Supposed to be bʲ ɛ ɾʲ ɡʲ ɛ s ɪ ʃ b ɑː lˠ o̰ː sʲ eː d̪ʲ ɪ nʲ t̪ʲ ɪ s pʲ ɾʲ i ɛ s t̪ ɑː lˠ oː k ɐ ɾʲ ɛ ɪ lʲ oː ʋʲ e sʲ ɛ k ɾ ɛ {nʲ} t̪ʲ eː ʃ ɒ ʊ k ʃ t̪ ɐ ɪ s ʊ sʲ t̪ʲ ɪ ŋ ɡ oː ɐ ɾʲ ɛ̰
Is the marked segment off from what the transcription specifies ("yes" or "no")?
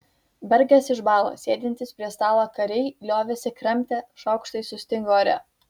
yes